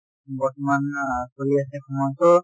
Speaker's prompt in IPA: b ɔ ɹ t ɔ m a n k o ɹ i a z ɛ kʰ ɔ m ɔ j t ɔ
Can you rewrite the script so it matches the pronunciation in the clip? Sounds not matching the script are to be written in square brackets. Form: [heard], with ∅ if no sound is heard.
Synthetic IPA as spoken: b ɔ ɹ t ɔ m a n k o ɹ i a [s] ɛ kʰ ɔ m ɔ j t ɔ